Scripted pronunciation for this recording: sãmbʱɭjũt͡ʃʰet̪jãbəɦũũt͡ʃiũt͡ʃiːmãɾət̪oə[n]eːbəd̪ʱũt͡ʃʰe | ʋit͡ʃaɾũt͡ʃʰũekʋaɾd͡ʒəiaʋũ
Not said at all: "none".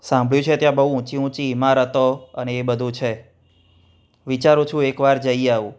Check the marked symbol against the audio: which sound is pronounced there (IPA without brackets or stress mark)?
n